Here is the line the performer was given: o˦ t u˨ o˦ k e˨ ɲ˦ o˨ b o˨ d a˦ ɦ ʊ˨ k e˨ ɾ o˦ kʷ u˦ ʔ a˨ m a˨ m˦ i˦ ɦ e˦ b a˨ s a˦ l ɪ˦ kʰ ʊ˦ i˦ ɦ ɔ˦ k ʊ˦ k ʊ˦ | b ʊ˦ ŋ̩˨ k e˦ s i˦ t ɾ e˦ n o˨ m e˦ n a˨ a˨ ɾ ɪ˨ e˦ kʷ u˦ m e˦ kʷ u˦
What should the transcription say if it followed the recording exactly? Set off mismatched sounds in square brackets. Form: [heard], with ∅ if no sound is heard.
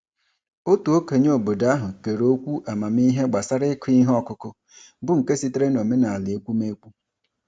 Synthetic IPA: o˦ t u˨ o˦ k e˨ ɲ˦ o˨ b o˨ d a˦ ɦ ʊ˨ k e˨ ɾ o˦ kʷ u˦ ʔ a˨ m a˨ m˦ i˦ ɦ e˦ [ɡ͡b] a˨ s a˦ [ɾ] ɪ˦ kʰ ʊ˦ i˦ ɦ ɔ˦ k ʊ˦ k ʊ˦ | b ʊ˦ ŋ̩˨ k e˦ s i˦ t ɾ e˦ n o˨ m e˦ n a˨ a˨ [l] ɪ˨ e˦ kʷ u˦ m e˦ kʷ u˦